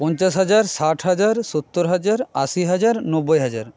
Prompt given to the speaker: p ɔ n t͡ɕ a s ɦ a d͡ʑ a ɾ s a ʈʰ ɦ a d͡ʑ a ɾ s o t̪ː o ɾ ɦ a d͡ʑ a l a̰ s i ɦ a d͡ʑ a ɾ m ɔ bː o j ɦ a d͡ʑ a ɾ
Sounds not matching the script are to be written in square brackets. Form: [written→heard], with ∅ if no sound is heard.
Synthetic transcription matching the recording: p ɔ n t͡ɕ a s ɦ a d͡ʑ a ɾ s a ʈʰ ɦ a d͡ʑ a ɾ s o t̪ː o ɾ ɦ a d͡ʑ a [l→ɾ] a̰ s i ɦ a d͡ʑ a ɾ [m→n] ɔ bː o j ɦ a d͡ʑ a ɾ